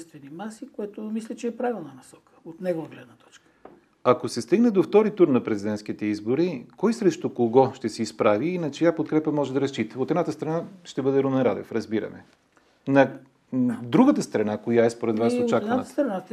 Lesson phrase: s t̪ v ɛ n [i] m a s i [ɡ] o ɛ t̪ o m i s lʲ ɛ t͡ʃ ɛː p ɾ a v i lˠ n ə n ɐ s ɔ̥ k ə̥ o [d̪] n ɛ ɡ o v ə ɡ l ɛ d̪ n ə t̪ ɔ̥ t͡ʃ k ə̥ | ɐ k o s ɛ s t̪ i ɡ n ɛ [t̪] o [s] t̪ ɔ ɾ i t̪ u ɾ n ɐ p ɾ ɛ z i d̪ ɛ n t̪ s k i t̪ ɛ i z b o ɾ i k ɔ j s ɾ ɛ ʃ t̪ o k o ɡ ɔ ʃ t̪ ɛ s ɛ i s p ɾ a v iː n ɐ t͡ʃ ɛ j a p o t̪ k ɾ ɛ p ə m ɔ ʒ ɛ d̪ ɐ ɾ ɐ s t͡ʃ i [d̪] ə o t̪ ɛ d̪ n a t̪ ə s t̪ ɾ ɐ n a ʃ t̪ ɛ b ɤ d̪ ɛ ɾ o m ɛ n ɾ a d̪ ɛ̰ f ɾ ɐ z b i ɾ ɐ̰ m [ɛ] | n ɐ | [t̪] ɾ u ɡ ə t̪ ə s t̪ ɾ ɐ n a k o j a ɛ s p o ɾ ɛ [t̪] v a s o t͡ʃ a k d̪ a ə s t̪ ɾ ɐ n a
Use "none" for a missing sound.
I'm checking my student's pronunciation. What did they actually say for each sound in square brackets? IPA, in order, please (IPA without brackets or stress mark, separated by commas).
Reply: i, k, t̪, d̪, f, t̪, ɛ, d̪, d̪